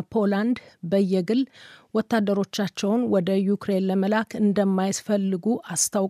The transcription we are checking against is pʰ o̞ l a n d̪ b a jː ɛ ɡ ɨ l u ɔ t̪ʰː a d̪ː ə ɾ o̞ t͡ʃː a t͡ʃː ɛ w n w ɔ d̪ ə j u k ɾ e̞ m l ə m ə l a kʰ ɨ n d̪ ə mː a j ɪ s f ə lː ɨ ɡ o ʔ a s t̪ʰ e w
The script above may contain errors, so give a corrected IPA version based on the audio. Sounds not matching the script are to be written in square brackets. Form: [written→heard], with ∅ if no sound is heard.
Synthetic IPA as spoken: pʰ o̞ l a n d̪ b [a→ə] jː ɛ ɡ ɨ l [u→w] ɔ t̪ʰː a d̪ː ə ɾ o̞ t͡ʃː a t͡ʃː ɛ w n w ɔ d̪ ə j u k ɾ e̞ [m→n] l ə m ə l a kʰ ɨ n d̪ ə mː a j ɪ s f ə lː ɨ ɡ [o→u] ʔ a s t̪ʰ [e→a] w